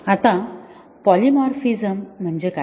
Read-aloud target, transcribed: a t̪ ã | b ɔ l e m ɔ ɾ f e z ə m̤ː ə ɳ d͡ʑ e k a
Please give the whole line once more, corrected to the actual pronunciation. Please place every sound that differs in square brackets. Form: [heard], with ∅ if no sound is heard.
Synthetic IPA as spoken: a t̪ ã | [p] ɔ l [i] m ɔ ɾ f [i] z ə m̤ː ə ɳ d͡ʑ e k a